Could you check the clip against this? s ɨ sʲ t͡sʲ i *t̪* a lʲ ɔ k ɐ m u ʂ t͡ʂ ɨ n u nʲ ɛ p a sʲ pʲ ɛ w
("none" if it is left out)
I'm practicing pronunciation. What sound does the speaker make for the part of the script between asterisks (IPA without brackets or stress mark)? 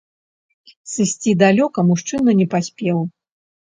d̪